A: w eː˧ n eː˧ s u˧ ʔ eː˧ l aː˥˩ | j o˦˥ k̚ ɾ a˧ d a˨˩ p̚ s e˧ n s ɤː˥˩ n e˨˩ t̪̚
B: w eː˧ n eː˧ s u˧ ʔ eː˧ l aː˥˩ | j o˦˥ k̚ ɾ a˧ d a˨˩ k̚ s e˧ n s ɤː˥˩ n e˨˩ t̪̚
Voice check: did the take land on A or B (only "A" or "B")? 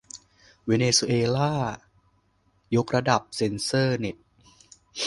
A